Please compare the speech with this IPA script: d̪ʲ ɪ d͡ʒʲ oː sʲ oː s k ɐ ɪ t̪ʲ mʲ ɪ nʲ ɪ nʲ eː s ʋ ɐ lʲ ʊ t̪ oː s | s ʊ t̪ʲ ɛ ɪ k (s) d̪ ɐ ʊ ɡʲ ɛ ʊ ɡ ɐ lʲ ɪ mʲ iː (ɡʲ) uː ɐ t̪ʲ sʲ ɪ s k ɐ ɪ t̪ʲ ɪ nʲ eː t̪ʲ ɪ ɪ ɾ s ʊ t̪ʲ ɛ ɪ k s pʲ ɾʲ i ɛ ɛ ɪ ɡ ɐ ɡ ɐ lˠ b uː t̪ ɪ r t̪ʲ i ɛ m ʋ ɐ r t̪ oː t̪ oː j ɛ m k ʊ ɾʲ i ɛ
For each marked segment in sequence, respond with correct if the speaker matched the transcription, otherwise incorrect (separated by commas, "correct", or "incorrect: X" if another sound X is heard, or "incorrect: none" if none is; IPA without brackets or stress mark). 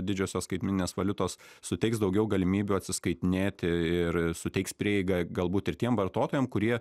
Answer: correct, incorrect: bʲ